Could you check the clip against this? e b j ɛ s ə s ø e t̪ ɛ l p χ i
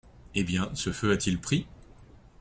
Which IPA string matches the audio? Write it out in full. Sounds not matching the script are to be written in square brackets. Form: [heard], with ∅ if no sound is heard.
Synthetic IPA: e b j [ɛ̃] s ə [f] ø [a] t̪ [i] l p χ i